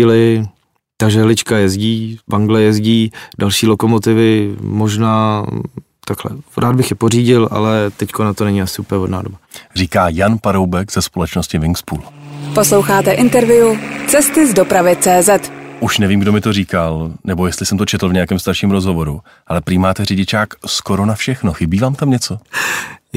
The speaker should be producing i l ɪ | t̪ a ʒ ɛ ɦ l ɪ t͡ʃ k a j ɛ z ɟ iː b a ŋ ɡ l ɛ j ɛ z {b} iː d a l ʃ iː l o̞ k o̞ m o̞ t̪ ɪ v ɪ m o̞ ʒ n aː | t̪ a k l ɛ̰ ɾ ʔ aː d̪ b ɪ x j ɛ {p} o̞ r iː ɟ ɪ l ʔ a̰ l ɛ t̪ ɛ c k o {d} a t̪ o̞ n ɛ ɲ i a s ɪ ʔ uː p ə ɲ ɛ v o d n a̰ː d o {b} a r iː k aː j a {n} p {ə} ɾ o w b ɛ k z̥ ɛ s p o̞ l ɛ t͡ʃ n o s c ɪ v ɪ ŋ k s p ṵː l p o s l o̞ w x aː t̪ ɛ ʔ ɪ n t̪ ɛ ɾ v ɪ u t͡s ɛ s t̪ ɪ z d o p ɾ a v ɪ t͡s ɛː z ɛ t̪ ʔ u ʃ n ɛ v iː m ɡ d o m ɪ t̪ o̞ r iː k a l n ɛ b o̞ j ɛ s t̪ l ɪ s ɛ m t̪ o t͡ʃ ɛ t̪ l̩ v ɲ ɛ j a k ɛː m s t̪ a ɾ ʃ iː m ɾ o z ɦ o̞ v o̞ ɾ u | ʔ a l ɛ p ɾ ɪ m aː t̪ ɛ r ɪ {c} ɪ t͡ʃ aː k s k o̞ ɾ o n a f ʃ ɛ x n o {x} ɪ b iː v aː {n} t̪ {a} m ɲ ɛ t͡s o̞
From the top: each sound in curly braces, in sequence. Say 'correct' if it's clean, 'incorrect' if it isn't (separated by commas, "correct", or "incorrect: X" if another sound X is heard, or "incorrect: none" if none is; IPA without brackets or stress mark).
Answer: incorrect: ɟ, correct, incorrect: n, correct, correct, incorrect: a, incorrect: ɟ, correct, incorrect: m, correct